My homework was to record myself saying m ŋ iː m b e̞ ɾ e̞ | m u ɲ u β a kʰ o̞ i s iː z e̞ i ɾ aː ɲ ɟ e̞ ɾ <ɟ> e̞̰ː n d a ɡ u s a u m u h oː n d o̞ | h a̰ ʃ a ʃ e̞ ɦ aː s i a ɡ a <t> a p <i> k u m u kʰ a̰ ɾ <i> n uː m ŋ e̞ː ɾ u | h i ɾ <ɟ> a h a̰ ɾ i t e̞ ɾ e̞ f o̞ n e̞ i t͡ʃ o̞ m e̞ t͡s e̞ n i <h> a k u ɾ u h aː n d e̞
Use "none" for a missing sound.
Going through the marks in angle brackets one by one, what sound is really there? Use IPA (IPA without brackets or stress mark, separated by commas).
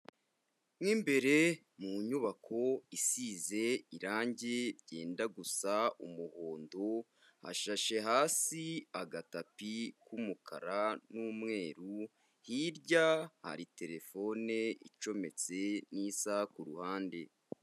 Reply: ɟ, t, i, a, ɟ, s